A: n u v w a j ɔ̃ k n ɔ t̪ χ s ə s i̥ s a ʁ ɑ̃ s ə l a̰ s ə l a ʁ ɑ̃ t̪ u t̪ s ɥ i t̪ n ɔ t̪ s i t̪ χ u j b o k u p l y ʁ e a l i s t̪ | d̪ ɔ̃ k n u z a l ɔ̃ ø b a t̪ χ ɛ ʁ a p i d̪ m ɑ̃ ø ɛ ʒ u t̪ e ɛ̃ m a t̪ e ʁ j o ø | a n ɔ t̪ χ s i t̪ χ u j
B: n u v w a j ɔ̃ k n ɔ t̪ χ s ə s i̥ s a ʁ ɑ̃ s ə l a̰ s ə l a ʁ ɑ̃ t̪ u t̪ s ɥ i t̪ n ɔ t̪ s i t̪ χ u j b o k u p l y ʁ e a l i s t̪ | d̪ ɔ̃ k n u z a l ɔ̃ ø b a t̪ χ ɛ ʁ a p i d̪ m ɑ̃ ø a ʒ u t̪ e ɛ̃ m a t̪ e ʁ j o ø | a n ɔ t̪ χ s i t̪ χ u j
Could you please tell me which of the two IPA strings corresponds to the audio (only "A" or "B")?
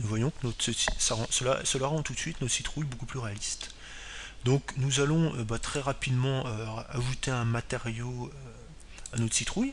B